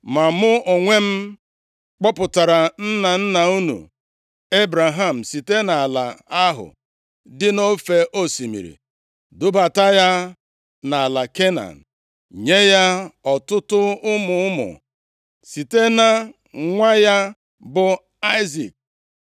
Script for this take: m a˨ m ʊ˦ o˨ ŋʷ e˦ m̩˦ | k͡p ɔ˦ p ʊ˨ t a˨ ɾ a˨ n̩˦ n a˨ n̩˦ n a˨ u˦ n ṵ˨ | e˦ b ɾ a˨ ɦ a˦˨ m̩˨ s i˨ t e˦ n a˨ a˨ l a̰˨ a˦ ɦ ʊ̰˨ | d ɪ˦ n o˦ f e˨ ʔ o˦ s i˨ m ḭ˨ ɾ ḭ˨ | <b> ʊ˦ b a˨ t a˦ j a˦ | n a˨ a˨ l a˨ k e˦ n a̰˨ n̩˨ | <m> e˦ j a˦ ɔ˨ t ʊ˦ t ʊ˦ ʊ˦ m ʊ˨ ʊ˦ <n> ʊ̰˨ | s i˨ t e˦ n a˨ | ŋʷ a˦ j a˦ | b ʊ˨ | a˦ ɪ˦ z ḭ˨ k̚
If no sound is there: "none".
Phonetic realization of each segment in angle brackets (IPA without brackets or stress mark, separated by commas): d, ɲ, m